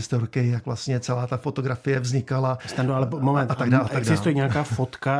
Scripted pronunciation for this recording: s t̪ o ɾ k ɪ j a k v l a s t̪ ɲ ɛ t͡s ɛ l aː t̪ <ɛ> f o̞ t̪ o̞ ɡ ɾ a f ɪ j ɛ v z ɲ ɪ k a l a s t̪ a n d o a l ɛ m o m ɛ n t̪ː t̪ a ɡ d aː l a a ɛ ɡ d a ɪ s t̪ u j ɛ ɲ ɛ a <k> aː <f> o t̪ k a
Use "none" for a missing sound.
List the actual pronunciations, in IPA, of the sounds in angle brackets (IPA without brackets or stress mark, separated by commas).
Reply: a, k, f